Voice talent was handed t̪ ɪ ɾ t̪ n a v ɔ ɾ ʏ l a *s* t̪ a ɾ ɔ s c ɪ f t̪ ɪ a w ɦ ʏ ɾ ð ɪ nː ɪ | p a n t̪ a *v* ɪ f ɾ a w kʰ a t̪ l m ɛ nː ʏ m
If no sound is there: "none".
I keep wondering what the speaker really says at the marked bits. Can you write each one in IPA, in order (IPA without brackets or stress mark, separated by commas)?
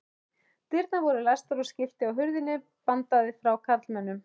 s, ð